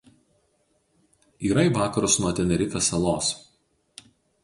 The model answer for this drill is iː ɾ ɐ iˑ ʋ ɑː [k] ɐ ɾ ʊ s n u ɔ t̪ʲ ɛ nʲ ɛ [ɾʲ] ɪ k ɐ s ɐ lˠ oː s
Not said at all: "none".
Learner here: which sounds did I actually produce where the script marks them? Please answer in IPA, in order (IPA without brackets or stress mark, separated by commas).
k, ɾʲ